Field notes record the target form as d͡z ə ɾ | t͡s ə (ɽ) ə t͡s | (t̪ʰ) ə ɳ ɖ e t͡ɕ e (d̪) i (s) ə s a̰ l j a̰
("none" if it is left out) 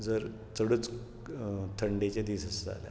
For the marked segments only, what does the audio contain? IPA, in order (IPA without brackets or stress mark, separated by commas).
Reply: ɽ, t̪ʰ, d̪, s